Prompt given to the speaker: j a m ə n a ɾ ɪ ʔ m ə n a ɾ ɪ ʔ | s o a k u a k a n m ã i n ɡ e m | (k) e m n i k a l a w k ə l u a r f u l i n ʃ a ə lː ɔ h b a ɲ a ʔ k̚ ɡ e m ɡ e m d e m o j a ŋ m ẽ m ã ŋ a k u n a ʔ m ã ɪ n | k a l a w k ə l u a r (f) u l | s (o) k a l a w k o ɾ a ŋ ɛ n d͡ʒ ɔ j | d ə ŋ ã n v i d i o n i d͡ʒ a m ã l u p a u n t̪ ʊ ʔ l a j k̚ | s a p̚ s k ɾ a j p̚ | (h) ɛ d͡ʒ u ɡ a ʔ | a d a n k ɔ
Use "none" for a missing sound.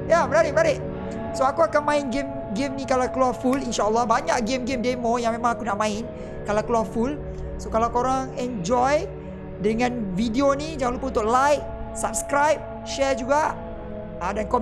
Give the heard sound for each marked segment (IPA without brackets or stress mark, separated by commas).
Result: ɡ, f, o, ʃ